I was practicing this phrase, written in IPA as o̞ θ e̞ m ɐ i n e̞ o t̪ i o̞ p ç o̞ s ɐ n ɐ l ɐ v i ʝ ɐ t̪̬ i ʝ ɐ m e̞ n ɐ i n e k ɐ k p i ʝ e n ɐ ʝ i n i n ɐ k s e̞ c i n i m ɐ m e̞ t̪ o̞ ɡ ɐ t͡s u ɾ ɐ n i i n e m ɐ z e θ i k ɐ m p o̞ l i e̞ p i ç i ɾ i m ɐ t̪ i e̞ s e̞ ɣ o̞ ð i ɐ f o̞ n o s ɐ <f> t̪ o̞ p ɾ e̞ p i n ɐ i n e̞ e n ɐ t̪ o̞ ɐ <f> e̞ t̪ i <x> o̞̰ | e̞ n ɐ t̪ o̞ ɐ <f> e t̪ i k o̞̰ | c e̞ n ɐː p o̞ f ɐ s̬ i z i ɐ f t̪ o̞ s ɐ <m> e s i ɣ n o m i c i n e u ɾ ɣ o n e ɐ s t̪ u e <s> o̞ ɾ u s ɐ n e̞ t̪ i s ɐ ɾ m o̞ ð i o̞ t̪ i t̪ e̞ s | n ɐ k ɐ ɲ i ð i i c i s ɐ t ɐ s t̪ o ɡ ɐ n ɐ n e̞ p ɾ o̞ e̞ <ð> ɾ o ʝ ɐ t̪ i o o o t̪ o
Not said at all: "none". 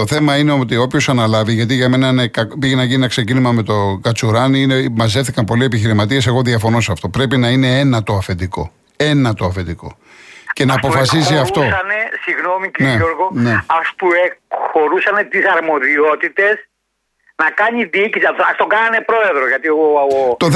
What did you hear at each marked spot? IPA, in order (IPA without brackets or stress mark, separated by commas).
f, f, k, f, n, x, ð